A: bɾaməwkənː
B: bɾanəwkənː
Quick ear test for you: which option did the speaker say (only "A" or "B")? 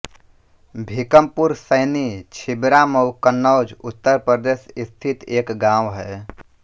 A